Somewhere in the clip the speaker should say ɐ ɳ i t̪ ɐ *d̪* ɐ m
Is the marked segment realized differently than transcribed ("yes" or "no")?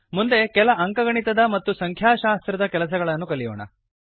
no